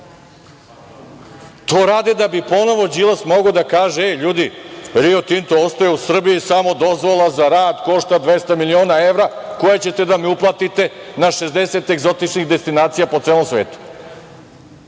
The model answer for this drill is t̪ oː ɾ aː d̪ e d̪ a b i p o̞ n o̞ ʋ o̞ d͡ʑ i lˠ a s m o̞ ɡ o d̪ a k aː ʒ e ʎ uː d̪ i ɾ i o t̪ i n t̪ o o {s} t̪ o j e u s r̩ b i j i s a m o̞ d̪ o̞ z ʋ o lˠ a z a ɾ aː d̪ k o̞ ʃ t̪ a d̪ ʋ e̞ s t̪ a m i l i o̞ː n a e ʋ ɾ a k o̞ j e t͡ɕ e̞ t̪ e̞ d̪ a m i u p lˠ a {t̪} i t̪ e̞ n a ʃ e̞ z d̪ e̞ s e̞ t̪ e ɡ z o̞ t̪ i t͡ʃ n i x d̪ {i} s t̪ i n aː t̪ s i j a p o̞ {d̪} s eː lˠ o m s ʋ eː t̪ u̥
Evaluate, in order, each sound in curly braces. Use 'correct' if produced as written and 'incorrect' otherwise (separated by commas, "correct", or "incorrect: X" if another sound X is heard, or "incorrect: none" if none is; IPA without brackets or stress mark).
correct, correct, incorrect: e, incorrect: t̪